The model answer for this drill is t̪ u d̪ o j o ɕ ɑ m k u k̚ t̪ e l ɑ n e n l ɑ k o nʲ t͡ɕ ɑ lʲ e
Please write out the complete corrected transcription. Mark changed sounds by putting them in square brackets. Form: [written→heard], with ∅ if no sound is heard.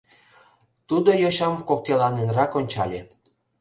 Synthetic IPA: t̪ u d̪ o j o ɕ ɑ m k [u→o] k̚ t̪ e l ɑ n e n [l→r] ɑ k o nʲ t͡ɕ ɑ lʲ e